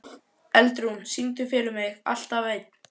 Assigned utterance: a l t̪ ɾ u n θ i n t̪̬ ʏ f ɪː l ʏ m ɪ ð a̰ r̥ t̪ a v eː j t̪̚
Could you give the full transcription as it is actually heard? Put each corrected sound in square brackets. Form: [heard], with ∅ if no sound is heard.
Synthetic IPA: [ɛ] l t̪ ɾ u n [s] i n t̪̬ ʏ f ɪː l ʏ m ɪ [ɣ] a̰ [l̥] t̪ a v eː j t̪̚